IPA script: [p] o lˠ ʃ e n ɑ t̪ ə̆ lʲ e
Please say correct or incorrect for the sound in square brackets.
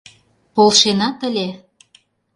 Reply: correct